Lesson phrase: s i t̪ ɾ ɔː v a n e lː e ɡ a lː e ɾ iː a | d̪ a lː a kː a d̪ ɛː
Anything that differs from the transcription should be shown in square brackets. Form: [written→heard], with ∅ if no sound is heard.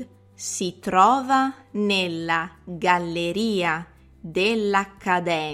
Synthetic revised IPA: s i t̪ ɾ ɔː v a n e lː [e→a] ɡ a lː e ɾ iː a | d̪ [a→e] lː a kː a d̪ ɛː